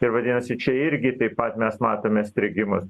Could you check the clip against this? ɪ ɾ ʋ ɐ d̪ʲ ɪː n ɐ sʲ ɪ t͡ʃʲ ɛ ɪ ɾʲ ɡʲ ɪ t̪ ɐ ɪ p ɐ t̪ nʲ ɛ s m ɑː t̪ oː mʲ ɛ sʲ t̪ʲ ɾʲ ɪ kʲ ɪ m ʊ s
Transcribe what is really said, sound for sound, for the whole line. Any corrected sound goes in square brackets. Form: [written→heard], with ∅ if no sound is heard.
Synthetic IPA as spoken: ɪ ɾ ʋ ɐ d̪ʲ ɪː n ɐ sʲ ɪ t͡ʃʲ ɛ ɪ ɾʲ ɡʲ ɪ t̪ ɐ ɪ p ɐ t̪ [nʲ→mʲ] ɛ s m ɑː t̪ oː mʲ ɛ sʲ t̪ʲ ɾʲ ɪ [kʲ→ɡʲ] ɪ m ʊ s